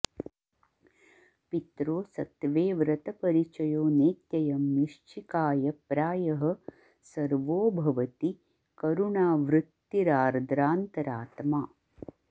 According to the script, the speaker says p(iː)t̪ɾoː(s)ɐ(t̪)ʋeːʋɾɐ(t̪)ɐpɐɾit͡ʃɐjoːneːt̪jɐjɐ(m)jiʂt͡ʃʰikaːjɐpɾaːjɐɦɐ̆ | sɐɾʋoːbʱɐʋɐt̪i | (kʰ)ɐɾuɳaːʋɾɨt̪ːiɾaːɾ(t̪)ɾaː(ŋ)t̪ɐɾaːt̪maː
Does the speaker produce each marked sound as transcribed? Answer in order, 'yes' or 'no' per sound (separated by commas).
no, yes, yes, yes, yes, no, no, no